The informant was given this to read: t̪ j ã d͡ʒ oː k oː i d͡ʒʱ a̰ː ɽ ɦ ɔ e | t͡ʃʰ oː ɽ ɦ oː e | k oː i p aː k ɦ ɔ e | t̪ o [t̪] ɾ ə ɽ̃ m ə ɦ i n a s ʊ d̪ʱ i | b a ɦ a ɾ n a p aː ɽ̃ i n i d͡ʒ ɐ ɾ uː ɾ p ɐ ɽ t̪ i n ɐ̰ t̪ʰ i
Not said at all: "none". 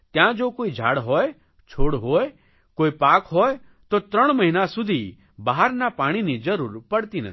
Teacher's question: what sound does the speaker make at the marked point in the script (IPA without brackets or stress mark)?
t̪